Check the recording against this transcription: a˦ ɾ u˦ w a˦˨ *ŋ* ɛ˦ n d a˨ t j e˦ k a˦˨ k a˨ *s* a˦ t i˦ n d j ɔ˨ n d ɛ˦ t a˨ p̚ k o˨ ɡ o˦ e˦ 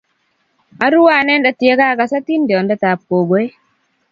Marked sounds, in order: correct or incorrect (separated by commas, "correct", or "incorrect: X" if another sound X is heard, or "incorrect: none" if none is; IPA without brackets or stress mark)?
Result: incorrect: n, correct